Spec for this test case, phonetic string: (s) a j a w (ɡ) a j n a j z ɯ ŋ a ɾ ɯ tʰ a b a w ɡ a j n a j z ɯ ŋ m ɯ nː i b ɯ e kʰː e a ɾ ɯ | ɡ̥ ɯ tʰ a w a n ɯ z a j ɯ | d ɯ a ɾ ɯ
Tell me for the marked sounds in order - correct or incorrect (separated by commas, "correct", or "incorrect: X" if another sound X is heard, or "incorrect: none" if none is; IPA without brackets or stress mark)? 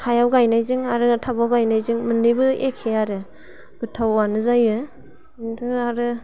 incorrect: h, correct